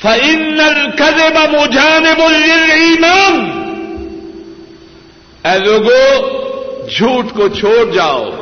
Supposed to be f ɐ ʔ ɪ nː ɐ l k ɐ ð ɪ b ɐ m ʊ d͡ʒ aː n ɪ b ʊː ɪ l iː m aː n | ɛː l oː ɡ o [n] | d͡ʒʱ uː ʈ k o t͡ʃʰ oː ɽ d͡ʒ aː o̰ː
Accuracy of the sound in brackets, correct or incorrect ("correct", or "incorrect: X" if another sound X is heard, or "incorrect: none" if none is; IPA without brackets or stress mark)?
incorrect: none